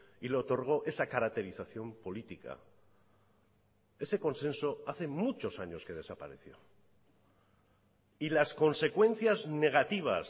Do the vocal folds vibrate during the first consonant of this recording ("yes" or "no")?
yes